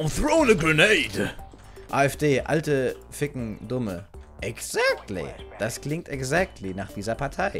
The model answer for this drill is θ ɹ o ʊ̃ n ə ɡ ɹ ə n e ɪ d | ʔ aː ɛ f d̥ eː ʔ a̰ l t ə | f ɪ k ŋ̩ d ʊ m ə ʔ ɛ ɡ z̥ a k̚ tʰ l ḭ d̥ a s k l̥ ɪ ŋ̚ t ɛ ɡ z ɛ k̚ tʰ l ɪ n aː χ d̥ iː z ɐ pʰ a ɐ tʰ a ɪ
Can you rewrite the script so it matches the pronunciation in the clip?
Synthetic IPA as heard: θ ɹ o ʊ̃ n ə ɡ ɹ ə n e ɪ d | ʔ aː ɛ f d̥ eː ʔ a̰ l t ə | f ɪ k ŋ̩ d ʊ m ə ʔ ɛ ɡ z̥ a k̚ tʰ l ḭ d̥ a s k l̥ ɪ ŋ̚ t ɛ ɡ z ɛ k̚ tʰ l i n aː χ d̥ iː z ɐ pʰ a ɐ tʰ a ɪ